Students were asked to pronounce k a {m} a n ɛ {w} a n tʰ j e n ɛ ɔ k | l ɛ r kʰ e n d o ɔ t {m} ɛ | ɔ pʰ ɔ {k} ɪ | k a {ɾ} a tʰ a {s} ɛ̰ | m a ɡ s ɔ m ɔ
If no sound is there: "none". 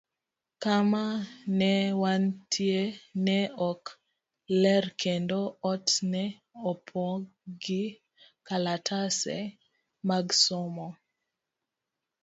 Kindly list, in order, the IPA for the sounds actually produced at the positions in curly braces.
m, w, n, ɡ, l, s

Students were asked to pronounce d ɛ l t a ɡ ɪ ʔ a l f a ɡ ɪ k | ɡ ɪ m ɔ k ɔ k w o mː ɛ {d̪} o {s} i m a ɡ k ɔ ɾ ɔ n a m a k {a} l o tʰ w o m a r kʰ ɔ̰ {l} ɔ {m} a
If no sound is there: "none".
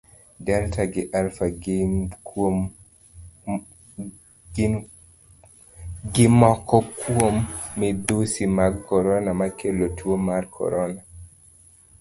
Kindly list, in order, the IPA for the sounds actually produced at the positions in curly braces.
d̪, s, e, ɾ, n

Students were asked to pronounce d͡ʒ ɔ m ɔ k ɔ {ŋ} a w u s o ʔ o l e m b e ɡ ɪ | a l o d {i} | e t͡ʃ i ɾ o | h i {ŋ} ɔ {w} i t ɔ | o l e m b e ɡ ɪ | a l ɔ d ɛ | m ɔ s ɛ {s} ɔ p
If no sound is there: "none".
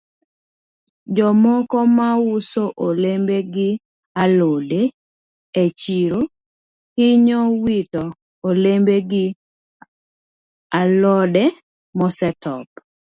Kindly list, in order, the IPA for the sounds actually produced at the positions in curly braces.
m, e, ɲ, w, t

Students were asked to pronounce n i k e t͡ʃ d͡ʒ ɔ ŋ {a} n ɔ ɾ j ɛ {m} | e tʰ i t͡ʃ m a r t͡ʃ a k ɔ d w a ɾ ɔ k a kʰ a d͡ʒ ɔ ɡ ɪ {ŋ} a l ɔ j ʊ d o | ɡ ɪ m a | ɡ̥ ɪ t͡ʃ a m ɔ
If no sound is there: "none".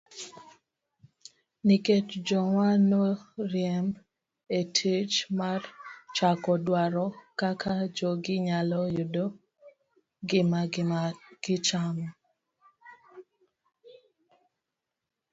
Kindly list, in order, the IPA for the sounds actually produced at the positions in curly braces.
a, m, ɲ

